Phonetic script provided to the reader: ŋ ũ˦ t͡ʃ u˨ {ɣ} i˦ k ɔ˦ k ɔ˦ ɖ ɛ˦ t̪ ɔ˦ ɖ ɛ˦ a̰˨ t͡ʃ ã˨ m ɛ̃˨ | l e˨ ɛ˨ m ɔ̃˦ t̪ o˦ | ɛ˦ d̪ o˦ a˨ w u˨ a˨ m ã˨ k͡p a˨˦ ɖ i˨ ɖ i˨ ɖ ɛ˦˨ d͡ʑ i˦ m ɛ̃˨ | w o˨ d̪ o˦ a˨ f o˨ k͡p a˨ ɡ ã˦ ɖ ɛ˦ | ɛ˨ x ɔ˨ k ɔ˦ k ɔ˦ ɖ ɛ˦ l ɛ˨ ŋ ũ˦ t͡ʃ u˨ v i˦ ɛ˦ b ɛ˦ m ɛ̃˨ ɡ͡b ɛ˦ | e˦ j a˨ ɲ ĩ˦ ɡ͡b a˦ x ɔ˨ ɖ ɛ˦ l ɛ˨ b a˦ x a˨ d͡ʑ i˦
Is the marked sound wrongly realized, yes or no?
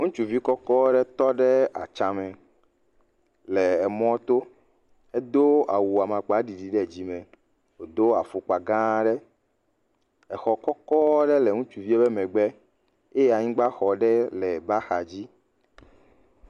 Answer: yes